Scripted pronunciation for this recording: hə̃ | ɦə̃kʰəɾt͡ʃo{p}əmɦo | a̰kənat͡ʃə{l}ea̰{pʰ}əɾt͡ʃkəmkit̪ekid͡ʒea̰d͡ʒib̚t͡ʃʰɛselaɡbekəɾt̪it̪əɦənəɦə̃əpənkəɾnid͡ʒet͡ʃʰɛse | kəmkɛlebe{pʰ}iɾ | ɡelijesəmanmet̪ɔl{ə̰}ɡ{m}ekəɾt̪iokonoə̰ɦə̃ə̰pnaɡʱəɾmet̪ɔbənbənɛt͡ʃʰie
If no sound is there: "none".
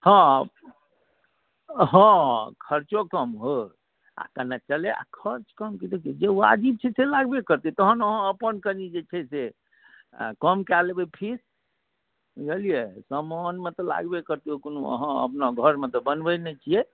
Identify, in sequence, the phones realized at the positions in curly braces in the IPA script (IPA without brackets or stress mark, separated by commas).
k, l, kʰ, pʰ, a̰, b